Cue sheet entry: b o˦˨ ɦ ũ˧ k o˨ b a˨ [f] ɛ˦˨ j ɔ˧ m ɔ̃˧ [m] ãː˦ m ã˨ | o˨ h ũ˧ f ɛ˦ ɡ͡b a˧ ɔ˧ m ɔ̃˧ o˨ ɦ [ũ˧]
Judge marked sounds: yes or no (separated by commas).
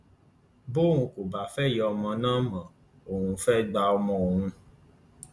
yes, no, yes